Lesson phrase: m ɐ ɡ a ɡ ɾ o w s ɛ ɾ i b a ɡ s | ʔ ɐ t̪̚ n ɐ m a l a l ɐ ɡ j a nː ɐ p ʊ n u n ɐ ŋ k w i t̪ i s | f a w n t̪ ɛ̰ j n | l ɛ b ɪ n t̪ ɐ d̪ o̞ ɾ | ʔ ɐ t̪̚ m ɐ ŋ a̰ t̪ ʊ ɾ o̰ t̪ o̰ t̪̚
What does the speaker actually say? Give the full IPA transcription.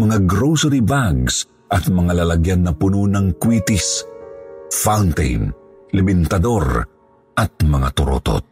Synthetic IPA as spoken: m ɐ ŋ a ɡ ɾ o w s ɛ ɾ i b a ɡ s | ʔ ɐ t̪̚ m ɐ ŋ a l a l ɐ ɡ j a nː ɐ p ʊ n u n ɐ ŋ k w i t̪ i s | f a w n t̪ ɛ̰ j n | l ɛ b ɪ n t̪ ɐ d̪ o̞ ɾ | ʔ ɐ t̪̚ m ɐ ŋ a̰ t̪ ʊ ɾ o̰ t̪ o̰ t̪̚